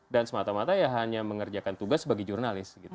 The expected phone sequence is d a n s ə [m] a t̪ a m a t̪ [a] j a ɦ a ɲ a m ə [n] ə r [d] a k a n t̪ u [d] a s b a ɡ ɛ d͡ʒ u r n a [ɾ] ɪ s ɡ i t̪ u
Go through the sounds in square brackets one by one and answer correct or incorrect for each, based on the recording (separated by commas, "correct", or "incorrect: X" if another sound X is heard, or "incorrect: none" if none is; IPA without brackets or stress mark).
correct, correct, incorrect: ŋ, incorrect: d͡ʒ, incorrect: ɡ, incorrect: l